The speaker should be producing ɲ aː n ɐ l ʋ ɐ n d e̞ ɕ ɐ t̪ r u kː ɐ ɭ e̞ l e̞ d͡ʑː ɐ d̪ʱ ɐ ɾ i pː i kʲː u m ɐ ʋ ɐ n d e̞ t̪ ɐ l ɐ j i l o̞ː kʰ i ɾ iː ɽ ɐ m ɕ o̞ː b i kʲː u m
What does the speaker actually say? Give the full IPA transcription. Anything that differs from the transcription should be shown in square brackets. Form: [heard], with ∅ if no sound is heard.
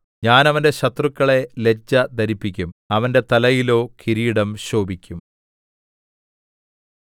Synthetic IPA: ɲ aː n ɐ [∅] ʋ ɐ n d e̞ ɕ ɐ t̪ r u kː ɐ ɭ e̞ l e̞ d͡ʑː ɐ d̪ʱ ɐ ɾ i pː i kʲː u m ɐ ʋ ɐ n d e̞ t̪ ɐ l ɐ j i l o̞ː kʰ i ɾ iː ɽ ɐ m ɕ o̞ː b i kʲː u m